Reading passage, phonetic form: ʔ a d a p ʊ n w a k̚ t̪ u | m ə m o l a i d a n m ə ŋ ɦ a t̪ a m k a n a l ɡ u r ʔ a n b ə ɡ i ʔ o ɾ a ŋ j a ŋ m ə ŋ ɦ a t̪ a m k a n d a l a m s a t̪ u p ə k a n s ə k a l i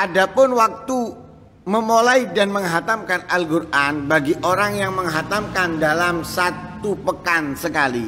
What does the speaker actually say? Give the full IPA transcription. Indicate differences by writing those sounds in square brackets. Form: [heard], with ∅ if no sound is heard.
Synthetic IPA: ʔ a d a p ʊ n w a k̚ t̪ u | m ə m o l a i d a n m ə ŋ ɦ a t̪ a m k a n a l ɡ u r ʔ a n b [a] ɡ i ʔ o ɾ a ŋ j a ŋ m ə ŋ ɦ a t̪ a m k a n d a l a m s a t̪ u p ə k a n s ə k a l i